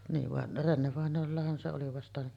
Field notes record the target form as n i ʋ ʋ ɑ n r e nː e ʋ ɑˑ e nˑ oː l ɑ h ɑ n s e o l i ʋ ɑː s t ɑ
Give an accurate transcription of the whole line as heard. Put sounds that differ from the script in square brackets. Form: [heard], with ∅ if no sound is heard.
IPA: n [iː] ʋ ʋ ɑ n r e nː e ʋ ɑˑ e nˑ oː [lː] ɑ h ɑ n s e o l i ʋ [ɑ] s t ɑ